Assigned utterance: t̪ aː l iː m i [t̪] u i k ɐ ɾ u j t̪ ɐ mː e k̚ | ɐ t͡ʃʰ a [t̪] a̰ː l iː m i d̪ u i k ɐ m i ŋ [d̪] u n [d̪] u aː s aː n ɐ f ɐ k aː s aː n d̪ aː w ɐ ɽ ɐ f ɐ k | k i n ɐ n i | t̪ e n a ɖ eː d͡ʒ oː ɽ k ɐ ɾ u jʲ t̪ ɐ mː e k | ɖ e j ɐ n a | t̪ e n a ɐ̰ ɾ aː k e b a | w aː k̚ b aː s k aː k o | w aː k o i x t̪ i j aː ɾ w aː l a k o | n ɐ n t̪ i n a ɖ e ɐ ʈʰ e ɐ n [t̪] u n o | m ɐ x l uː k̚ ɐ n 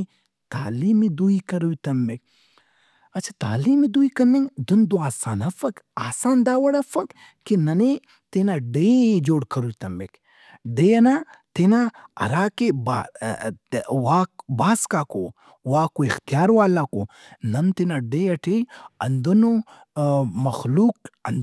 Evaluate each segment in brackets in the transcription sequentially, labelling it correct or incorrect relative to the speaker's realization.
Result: incorrect: d̪, correct, correct, correct, incorrect: d̪

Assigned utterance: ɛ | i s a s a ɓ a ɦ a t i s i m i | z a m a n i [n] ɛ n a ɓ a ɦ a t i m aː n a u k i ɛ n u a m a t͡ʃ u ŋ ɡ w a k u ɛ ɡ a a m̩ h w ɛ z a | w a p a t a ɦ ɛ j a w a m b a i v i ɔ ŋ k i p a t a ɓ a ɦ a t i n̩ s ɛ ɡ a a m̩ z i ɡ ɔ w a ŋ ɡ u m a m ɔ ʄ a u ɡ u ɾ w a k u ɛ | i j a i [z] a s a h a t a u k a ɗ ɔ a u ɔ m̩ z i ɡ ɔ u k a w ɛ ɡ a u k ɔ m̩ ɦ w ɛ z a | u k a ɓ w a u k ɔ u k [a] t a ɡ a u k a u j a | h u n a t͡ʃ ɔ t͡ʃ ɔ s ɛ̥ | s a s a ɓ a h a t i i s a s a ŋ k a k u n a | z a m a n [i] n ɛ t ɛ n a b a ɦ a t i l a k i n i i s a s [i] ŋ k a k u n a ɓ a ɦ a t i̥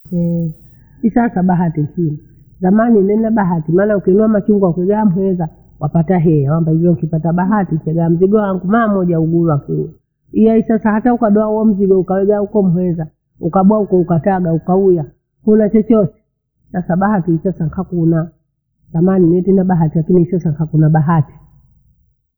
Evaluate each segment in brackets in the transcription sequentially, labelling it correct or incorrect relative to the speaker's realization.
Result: correct, incorrect: s, correct, correct, incorrect: a

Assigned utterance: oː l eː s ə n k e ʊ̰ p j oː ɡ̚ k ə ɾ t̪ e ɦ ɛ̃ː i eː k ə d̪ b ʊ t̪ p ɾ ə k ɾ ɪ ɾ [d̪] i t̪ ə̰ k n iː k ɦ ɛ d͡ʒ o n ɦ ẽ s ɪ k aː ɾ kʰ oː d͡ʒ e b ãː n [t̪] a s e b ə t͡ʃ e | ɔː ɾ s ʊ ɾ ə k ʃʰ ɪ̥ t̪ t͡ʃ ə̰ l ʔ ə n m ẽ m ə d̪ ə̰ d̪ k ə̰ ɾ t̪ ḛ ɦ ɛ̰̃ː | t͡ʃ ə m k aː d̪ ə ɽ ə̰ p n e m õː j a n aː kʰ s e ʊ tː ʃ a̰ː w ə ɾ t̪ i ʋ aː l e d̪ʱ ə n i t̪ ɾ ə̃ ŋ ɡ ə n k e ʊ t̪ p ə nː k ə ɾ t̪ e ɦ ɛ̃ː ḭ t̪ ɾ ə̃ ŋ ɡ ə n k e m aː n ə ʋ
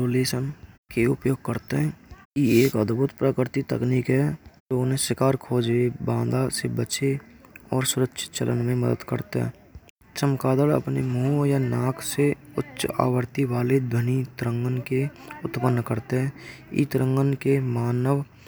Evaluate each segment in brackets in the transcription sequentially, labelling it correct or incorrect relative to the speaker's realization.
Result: incorrect: t̪, incorrect: d̪

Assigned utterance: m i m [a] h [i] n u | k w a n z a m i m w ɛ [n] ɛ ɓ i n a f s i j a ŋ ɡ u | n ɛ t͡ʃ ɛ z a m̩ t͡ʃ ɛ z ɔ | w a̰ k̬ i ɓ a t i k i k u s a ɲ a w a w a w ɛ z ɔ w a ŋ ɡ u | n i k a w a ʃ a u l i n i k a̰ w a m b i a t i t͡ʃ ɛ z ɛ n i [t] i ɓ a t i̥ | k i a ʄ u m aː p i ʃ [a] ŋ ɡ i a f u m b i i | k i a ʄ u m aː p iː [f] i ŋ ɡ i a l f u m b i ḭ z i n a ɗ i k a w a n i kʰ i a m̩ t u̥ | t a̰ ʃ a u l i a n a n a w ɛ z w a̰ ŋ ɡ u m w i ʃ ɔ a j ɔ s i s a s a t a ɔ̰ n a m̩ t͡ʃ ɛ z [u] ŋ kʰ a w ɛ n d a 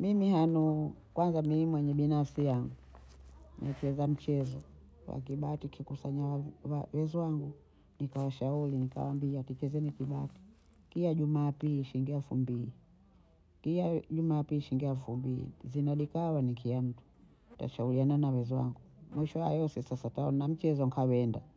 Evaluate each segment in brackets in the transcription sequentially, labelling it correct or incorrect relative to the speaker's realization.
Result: incorrect: i, incorrect: a, incorrect: ɲ, incorrect: k, incorrect: i, incorrect: ʃ, incorrect: ɔ

